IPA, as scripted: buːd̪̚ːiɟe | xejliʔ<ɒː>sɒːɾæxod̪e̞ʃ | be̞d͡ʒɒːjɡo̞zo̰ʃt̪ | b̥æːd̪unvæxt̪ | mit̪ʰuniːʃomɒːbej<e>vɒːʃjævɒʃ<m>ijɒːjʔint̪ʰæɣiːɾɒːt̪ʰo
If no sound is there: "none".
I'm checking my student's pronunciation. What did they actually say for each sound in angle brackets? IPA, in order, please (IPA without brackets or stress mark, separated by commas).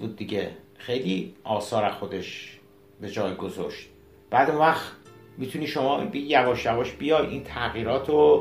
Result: ɒː, æ, b